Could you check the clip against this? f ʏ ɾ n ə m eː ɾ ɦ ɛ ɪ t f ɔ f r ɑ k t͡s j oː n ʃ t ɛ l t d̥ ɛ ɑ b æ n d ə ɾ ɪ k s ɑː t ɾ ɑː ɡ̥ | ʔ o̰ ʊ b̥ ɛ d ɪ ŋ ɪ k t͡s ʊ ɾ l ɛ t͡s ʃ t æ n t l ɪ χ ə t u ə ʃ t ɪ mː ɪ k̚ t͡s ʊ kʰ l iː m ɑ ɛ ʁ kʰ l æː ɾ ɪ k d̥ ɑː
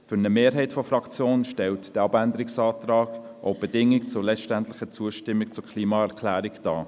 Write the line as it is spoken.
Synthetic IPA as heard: f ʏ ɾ n ə m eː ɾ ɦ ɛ ɪ t f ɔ f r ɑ k t͡s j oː n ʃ t ɛ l t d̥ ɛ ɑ b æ n d ə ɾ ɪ k s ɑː t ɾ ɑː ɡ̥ | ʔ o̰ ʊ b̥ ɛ d ɪ ŋ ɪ k t͡s ʊ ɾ l ɛ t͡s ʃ t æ n t l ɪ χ ə t͡s u ə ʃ t ɪ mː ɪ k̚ t͡s ʊ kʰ l iː m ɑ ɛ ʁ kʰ l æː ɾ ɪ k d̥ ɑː